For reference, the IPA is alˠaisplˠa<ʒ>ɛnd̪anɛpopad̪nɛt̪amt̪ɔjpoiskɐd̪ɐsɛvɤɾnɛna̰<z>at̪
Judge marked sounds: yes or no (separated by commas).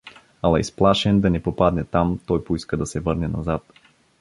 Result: no, yes